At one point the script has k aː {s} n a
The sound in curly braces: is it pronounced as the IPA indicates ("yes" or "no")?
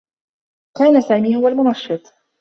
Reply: no